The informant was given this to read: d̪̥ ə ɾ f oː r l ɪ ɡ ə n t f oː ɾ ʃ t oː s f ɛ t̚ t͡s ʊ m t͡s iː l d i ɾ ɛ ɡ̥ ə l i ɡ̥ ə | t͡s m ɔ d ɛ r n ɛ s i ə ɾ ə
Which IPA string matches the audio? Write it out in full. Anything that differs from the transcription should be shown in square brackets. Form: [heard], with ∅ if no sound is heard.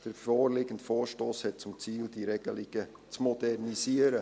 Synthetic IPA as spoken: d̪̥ ə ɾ f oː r l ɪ ɡ ə n t f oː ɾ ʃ t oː s [h] ɛ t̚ t͡s ʊ m t͡s iː l d i ɾ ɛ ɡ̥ ə l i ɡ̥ ə | t͡s m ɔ d ɛ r n [i] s i ə ɾ ə